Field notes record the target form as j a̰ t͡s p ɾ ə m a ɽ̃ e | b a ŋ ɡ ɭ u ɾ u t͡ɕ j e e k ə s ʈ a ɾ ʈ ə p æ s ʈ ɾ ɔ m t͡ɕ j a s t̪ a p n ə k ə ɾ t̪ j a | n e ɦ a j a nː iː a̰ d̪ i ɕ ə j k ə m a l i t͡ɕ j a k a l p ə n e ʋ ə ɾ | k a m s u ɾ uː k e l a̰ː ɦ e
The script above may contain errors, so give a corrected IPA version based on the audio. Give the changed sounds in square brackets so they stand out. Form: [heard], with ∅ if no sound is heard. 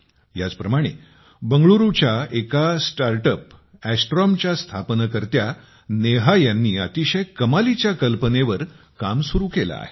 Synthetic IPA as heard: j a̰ t͡s p ɾ ə m a ɽ̃ e | b [ə] ŋ ɡ ɭ u ɾ u t͡ɕ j [a] e k [a] s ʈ a ɾ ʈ ə p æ s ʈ ɾ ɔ m t͡ɕ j a s [t̪ʰ] a p n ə k ə ɾ t̪ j a | n e ɦ a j a nː iː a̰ [t̪] i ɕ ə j k ə m a l i t͡ɕ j a k [ə] l p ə n e ʋ ə ɾ | k a m s u ɾ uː k e l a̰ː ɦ e